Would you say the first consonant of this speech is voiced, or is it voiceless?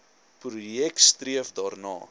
voiceless